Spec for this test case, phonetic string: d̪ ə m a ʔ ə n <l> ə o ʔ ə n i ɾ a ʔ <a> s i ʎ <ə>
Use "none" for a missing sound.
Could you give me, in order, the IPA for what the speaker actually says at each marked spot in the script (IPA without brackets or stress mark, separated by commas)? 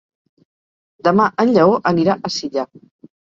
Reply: ʎ, ə, a